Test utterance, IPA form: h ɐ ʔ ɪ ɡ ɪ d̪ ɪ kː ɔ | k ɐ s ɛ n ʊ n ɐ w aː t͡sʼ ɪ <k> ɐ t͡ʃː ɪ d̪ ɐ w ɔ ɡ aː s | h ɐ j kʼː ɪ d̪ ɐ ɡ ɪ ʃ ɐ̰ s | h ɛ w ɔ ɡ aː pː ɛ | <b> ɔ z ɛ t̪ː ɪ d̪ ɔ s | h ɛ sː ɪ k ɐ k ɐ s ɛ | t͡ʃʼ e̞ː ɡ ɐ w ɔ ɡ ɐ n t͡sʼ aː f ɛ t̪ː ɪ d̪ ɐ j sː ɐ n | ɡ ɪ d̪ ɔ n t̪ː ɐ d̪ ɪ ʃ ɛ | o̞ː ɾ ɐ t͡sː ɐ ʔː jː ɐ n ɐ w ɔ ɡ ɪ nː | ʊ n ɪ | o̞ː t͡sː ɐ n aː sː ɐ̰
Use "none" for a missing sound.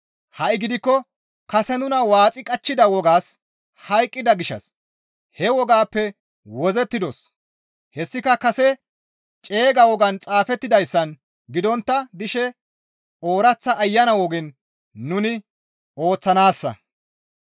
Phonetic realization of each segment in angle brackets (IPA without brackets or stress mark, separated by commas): kʼ, w